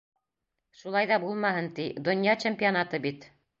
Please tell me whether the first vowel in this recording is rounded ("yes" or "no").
yes